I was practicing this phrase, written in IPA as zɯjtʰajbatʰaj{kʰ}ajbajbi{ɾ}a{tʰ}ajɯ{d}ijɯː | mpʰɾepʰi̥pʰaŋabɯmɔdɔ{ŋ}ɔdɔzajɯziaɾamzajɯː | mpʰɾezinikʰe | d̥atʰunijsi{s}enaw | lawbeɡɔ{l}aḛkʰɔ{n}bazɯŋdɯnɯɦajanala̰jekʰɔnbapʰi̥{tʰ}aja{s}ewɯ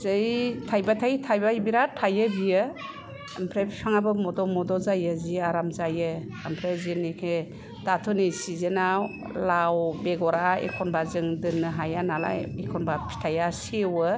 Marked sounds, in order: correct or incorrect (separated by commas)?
incorrect, correct, correct, incorrect, incorrect, incorrect, incorrect, correct, correct, correct